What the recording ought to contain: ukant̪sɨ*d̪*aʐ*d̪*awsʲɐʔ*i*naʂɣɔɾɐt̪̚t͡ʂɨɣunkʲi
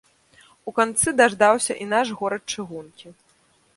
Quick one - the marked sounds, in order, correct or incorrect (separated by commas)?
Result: correct, correct, correct